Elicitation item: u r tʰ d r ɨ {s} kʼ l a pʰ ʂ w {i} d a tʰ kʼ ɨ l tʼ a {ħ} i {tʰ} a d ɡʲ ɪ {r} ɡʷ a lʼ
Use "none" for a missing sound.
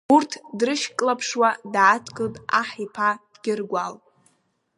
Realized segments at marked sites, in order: ʃ, a, ħ, pʰ, r

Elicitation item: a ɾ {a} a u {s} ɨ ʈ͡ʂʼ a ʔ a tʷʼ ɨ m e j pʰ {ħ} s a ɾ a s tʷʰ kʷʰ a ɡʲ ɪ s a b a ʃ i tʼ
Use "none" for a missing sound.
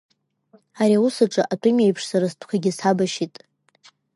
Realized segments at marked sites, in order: i, s, ʂ

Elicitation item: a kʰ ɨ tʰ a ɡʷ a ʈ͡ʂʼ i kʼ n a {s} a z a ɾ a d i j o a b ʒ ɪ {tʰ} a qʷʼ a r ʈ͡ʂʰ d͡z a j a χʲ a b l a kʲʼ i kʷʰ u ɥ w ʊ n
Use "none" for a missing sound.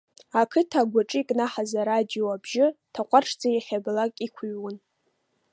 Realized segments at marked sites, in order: ħ, tʰ

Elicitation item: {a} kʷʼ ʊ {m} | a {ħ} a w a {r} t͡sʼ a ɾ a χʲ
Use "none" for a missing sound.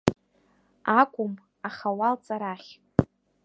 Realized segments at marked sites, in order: a, m, χ, l

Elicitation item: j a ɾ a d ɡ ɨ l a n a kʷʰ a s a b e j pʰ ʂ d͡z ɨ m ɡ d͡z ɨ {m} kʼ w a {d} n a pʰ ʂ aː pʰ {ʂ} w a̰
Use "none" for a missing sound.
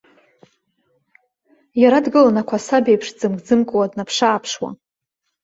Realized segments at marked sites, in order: m, d, ʂ

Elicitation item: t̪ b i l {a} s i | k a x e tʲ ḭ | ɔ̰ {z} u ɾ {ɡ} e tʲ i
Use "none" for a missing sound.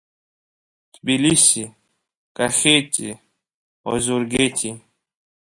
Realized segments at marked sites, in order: i, z, ɡ

